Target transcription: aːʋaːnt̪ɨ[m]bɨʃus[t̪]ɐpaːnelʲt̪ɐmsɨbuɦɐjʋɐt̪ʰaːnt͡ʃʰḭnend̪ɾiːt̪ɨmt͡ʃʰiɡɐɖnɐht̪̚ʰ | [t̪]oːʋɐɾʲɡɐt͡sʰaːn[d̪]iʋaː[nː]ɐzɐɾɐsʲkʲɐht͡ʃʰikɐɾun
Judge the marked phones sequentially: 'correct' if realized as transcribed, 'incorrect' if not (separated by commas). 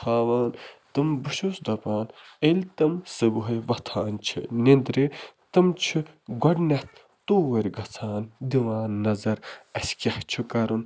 correct, incorrect, correct, correct, correct